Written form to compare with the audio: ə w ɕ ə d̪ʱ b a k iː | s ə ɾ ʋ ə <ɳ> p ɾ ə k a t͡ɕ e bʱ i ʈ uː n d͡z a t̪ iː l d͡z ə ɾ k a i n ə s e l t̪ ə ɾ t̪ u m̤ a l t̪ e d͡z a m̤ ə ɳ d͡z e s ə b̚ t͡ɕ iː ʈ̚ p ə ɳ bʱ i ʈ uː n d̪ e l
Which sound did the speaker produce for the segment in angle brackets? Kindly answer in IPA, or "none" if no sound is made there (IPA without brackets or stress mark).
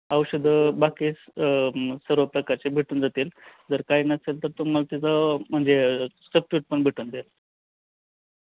none